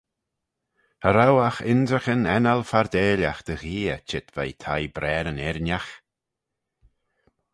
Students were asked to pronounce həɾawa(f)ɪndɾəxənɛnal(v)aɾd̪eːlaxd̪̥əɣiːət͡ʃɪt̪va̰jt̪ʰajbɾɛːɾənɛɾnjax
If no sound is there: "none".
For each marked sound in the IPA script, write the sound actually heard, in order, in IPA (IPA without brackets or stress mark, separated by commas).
x, f